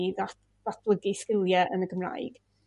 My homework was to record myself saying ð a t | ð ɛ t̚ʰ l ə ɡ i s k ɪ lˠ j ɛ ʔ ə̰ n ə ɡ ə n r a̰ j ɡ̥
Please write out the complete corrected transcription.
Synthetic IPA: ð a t | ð a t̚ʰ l ə ɡ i s k ɪ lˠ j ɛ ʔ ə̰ n ə ɡ ə m r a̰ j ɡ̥